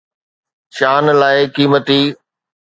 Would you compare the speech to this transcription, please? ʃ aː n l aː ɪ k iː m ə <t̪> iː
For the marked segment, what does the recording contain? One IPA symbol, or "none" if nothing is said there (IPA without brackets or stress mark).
t̪